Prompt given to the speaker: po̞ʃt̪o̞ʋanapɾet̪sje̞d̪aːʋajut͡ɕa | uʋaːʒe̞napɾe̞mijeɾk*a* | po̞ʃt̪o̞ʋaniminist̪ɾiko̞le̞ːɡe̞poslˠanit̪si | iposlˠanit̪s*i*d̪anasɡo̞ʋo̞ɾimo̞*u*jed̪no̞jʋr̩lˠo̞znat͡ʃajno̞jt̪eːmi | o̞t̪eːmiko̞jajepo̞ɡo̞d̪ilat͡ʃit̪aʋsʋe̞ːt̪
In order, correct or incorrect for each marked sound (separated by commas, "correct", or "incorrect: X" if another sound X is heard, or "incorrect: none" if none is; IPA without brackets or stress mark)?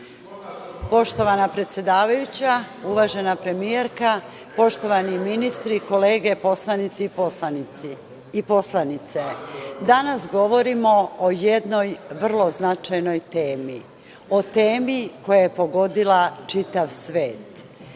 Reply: correct, incorrect: e, incorrect: o